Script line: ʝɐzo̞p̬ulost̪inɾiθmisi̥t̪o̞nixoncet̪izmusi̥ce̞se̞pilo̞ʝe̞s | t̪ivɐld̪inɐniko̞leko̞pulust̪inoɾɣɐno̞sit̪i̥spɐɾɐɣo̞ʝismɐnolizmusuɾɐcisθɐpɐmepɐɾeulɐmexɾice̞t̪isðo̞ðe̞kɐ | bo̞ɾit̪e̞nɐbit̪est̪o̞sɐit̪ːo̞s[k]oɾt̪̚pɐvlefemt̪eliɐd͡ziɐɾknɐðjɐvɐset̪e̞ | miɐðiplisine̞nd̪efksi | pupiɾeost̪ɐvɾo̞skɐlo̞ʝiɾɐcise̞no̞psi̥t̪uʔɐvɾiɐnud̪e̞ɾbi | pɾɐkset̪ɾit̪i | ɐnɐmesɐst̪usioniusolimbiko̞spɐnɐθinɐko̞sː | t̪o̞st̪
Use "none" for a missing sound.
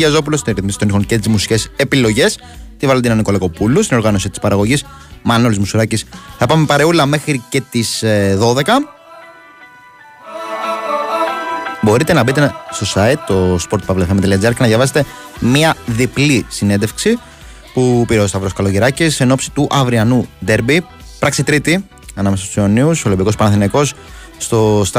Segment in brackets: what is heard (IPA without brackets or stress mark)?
p